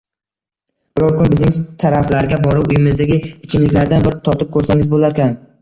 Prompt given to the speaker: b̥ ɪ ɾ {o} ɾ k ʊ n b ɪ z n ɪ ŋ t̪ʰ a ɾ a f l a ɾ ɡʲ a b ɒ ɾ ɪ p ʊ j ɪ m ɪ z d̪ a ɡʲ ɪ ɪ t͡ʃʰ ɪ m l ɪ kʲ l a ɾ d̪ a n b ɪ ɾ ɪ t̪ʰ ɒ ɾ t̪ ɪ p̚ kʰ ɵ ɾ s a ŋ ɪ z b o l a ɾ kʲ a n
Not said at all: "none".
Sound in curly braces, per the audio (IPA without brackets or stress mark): ɒ